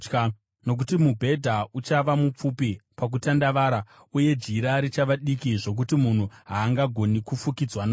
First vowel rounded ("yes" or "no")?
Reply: yes